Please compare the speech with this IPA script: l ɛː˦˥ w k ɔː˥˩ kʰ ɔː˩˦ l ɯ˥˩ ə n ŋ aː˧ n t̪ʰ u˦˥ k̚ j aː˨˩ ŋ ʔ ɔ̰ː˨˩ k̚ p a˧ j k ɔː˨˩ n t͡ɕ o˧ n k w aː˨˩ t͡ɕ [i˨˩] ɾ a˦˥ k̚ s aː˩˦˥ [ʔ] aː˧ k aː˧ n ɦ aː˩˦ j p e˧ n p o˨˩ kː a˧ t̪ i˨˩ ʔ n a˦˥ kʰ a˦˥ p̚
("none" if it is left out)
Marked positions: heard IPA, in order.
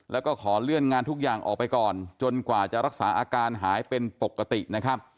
a˨˩, ʔ

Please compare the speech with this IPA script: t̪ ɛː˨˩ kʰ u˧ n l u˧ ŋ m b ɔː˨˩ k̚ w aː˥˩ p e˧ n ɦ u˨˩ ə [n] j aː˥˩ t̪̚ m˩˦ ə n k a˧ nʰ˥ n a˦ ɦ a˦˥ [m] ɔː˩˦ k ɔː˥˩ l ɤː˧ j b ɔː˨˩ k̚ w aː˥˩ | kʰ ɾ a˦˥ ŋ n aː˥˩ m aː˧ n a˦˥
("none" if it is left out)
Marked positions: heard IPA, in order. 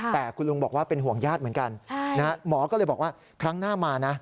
ŋ, m

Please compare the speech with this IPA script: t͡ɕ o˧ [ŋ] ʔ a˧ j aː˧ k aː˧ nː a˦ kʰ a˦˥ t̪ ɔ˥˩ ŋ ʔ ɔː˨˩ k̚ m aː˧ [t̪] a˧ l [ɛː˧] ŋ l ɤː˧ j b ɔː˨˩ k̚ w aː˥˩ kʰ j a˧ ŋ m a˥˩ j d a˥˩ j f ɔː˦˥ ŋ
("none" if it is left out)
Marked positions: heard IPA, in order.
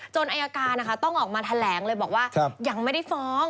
n, t̪ʰ, ɛː˩˦

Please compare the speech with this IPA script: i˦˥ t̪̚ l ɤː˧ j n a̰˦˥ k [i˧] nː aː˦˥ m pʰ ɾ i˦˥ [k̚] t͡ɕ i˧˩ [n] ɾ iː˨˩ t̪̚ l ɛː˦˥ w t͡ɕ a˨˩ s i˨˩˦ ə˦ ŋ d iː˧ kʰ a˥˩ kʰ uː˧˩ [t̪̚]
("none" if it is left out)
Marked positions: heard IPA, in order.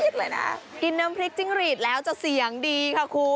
i˧, k̚, ŋ, none

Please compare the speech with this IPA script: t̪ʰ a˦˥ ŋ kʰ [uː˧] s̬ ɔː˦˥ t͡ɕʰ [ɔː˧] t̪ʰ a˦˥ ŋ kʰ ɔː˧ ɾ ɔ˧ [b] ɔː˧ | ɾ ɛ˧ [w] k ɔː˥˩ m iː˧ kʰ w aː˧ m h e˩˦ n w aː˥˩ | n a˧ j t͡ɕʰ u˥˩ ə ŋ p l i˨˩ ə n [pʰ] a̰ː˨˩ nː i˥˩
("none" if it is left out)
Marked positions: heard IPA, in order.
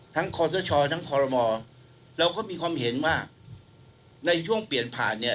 ɔː˧, ɔː˧, m, w, pʰ

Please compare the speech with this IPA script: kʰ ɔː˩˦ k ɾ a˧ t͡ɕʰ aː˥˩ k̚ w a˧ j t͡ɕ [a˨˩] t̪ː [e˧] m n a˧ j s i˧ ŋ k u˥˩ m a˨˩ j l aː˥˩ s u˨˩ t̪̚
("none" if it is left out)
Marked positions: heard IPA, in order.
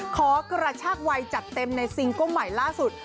a˨˩, e˧

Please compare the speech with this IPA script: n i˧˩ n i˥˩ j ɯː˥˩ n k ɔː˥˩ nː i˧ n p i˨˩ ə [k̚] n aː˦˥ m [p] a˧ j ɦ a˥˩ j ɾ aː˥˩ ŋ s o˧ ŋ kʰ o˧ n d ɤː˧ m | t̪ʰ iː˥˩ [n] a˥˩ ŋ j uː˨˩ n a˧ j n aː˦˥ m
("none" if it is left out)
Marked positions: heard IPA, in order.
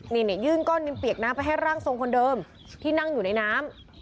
k̚, p, n

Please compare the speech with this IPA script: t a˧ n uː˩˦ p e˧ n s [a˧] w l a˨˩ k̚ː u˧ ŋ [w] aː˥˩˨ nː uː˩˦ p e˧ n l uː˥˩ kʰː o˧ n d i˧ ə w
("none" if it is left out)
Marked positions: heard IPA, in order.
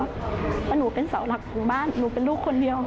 a˩˦, b

